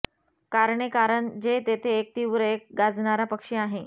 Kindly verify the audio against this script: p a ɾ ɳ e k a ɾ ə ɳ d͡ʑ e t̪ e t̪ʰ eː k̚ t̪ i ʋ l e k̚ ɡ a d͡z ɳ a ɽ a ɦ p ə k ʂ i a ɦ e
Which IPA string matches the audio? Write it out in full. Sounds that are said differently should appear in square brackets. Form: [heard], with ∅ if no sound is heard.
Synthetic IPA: [k] a ɾ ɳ e k a ɾ ə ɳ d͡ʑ e t̪ e t̪ʰ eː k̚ t̪ i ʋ [ɾ] e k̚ ɡ a d͡z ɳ a [ɾ] a [∅] p ə k ʂ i a ɦ e